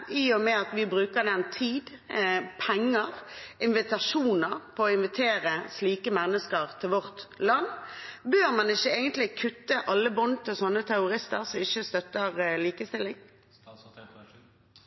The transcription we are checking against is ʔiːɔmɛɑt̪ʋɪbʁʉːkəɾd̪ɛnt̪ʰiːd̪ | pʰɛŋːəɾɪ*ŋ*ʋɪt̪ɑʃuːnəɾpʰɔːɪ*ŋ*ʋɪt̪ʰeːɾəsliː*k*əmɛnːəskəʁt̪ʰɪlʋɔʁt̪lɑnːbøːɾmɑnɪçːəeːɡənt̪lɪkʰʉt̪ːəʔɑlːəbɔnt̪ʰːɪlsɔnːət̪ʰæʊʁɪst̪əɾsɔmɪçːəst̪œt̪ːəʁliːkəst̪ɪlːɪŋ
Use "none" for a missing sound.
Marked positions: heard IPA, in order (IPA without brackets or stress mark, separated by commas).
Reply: n, n, k